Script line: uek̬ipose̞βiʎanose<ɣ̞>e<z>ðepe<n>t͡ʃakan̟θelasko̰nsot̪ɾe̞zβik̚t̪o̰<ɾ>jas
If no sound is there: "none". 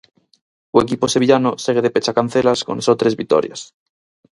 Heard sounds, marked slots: ɣ̞, none, none, ɾ

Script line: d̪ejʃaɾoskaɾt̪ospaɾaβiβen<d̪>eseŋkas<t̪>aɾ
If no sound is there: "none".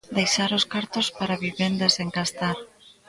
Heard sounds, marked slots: d̪, t̪

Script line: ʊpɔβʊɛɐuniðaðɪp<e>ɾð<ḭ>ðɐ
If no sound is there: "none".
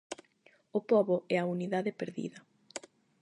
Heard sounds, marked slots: e, ḭ

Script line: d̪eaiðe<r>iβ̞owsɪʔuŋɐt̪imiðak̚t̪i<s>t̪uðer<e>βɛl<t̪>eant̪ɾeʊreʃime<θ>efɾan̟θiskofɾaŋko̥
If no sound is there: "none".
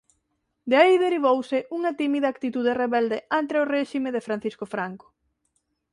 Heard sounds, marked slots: ɾ, none, e, d̪, ð

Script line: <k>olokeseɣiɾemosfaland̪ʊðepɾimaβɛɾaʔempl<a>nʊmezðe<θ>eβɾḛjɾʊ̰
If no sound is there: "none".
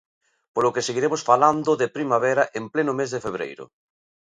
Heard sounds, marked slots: p, e, f

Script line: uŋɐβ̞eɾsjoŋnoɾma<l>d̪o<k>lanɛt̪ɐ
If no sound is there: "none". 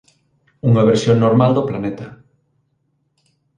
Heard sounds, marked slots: l, p

